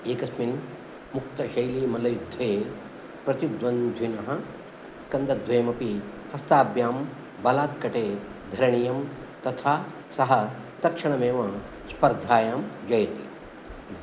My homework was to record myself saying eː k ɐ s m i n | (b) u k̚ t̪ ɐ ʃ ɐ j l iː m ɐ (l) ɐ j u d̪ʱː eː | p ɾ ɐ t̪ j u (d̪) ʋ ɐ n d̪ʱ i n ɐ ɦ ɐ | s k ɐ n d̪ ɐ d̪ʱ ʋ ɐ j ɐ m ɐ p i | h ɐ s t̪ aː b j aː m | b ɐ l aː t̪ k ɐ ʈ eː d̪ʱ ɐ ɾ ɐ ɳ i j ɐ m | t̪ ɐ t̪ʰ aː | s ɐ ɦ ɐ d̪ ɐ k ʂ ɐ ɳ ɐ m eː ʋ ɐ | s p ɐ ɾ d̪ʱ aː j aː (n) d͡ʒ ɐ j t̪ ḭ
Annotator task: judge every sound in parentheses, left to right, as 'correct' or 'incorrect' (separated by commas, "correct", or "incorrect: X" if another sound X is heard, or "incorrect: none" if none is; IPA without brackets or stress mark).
incorrect: m, correct, correct, incorrect: m